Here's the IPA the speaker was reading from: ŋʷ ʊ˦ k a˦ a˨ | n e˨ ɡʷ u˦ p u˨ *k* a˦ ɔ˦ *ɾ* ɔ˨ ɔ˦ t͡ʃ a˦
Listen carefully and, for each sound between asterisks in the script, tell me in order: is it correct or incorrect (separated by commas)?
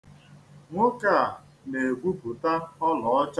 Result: incorrect, incorrect